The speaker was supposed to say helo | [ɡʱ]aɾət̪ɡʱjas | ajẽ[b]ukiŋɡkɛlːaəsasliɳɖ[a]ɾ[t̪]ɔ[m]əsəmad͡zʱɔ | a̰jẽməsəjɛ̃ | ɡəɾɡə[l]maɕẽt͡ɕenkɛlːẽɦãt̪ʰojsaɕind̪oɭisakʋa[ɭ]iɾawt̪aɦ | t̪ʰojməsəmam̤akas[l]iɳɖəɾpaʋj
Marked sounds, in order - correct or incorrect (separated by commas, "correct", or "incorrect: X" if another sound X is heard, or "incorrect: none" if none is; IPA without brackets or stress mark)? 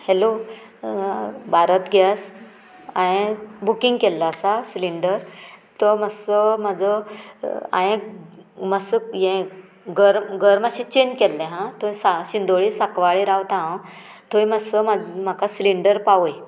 incorrect: bʱ, correct, incorrect: ə, correct, correct, incorrect: ɾ, correct, correct